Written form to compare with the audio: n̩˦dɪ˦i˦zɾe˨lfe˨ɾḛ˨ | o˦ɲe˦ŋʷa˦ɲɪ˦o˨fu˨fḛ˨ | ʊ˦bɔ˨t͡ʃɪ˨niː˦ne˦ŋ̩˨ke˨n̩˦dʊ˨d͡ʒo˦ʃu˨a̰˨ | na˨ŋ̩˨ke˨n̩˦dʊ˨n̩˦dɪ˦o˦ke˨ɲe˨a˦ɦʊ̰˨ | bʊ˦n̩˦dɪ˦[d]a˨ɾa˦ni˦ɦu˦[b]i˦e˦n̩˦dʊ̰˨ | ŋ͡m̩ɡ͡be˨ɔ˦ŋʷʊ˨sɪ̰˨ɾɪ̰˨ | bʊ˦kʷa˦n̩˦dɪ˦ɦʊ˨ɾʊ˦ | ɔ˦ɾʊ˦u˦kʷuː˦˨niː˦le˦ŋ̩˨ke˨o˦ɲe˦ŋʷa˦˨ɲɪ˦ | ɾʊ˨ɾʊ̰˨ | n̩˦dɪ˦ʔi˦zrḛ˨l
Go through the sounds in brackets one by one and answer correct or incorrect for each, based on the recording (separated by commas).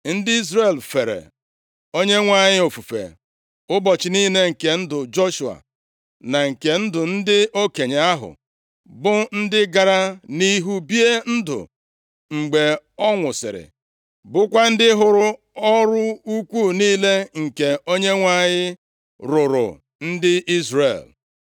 incorrect, correct